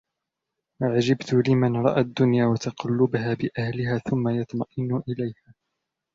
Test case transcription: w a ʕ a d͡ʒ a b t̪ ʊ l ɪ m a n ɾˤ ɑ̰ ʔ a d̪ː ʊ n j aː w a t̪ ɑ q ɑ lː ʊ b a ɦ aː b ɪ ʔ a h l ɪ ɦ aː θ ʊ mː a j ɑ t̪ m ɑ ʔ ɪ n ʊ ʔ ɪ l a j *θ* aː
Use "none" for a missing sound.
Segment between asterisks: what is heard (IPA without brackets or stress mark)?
h